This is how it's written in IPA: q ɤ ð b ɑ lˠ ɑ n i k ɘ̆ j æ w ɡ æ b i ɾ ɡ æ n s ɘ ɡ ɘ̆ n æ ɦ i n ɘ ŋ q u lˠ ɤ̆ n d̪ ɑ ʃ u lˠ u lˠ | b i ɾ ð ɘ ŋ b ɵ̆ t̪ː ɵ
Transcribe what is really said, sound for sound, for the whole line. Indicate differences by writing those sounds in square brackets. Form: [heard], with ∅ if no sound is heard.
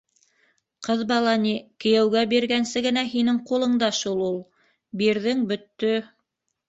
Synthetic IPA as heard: q ɤ ð b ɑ lˠ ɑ n i k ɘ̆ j æ w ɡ æ b i ɾ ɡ æ n s ɘ ɡ ɘ̆ n æ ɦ i n ɘ ŋ q u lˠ ɤ̆ [ɴ] d̪ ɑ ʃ u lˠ u lˠ | b i ɾ ð ɘ ŋ b ɵ̆ t̪ː ɵ

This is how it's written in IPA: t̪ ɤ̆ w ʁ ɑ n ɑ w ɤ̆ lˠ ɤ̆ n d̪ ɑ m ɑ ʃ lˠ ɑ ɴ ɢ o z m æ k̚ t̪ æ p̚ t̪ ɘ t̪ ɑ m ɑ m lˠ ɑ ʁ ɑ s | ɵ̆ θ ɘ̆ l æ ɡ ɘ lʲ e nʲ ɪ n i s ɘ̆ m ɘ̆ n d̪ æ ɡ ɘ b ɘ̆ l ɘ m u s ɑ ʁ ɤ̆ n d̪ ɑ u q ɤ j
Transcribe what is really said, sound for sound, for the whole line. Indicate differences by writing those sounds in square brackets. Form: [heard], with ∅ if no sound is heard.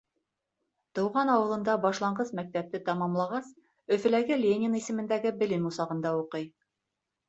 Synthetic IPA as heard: t̪ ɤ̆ w ʁ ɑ n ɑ w ɤ̆ lˠ ɤ̆ n d̪ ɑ [b] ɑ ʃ lˠ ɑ ɴ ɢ [ɤ] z m æ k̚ t̪ æ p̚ t̪ ɘ t̪ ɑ m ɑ m lˠ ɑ ʁ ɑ s | ɵ̆ [f] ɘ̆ l æ ɡ ɘ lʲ e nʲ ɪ n i s ɘ̆ m ɘ̆ n d̪ æ ɡ ɘ b ɘ̆ l ɘ m u s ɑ ʁ ɤ̆ n d̪ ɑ u q ɤ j

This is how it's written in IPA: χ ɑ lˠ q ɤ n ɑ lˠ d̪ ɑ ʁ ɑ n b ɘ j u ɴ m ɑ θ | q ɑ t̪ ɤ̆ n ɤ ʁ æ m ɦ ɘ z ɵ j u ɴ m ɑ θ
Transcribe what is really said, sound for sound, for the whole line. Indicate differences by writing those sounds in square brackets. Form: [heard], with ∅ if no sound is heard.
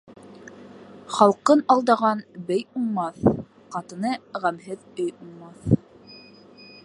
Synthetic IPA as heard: χ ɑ lˠ q ɤ n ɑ lˠ d̪ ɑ ʁ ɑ n b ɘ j u ɴ m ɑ θ | q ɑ t̪ ɤ̆ n ɤ ʁ æ m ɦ ɘ [ð] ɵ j u ɴ m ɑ θ

